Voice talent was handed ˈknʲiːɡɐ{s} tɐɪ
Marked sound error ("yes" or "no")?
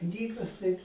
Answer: no